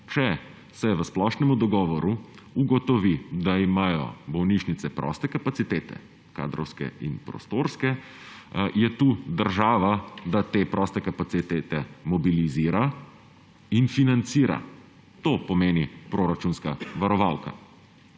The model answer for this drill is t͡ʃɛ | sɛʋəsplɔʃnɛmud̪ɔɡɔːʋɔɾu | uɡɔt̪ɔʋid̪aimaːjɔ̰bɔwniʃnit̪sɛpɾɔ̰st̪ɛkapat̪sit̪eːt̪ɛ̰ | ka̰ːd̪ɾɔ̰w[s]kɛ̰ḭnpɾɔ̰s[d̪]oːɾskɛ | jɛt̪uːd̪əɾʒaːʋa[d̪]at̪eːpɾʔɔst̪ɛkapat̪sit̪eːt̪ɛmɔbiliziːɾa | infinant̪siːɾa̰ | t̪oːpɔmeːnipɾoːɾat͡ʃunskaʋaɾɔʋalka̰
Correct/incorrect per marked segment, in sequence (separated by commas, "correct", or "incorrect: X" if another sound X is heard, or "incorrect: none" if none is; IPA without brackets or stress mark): correct, incorrect: t̪, correct